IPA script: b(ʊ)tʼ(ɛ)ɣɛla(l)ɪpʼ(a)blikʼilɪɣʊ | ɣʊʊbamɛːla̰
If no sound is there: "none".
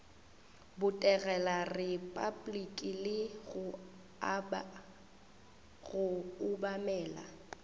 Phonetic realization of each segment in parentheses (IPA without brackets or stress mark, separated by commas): ʊ, ɛ, r, a